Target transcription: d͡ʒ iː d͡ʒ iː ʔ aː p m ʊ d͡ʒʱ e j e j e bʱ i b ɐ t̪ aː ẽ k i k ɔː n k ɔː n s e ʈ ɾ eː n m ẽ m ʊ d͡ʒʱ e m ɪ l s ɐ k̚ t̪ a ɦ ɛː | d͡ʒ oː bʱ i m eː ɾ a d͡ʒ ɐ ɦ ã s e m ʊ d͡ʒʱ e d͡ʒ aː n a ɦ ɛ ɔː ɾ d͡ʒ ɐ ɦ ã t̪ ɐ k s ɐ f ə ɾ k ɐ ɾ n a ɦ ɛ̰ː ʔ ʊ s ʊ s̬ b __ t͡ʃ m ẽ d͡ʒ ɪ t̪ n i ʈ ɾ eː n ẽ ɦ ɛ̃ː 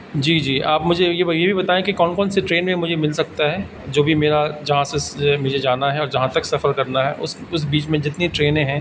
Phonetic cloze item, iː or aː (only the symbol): iː